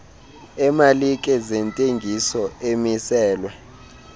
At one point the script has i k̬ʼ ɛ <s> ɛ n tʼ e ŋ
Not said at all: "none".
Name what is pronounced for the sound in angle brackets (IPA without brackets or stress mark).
z